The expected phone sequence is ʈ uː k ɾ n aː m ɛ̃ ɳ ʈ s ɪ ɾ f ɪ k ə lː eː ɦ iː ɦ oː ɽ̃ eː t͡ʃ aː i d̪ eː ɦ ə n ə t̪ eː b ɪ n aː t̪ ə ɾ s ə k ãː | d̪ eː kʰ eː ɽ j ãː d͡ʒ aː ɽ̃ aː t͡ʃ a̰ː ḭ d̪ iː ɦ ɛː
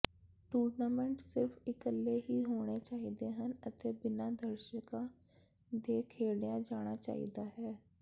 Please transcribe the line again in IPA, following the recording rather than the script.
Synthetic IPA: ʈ uː ɾ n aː m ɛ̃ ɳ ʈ s ɪ ɾ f ɪ k ə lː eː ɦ iː ɦ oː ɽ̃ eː t͡ʃ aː i d̪ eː ɦ ə n ə t̪ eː b ɪ n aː d̪ ə ɾ ʃ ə k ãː | d̪ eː kʰ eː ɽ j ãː d͡ʒ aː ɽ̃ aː t͡ʃ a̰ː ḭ d̪ aː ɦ ɛː